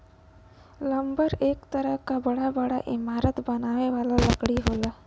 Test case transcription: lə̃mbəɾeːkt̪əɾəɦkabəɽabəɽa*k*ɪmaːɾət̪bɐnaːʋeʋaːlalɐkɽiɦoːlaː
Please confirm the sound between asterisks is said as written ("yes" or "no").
no